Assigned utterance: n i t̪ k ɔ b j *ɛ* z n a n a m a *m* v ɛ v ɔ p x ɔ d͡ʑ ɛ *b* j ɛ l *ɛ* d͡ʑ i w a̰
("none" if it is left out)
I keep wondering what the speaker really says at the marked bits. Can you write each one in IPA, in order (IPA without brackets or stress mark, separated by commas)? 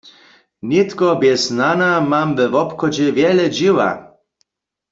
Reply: ɛ, m, v, ɛ